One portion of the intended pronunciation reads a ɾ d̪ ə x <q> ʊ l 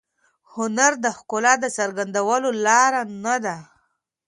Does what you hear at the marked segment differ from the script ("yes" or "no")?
yes